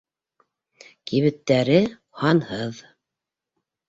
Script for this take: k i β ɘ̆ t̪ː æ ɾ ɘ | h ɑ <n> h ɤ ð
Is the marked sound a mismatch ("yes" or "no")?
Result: no